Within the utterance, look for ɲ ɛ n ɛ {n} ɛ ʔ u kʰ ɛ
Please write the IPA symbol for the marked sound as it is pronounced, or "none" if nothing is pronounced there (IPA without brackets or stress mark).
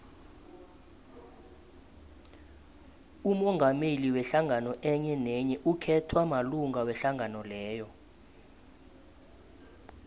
ɲ